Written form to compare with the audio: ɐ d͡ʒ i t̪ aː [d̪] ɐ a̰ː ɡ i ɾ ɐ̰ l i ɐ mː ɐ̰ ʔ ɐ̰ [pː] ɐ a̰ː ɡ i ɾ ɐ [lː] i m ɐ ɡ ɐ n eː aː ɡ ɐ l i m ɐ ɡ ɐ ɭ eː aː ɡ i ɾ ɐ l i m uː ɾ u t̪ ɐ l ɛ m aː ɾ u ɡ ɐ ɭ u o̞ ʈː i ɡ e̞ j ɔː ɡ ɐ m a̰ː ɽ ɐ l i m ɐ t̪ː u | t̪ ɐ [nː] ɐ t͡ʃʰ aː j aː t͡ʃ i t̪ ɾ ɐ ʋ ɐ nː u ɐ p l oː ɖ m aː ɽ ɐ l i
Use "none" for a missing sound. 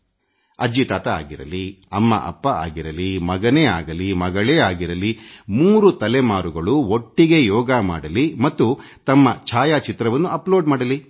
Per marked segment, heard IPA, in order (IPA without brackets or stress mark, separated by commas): t̪, pː, l, mː